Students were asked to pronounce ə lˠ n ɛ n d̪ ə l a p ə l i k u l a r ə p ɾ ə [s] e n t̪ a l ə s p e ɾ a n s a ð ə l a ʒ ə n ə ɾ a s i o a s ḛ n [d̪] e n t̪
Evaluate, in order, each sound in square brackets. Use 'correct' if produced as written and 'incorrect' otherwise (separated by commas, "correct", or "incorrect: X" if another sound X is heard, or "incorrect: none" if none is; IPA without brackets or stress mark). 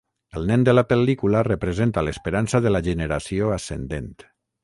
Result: incorrect: z, correct